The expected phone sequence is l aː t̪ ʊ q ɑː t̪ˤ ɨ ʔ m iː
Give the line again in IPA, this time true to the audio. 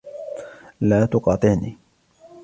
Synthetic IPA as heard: l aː t̪ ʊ q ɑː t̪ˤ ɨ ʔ n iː